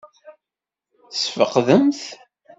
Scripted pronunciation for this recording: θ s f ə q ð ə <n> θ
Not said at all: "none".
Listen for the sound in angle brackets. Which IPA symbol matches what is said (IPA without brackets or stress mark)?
m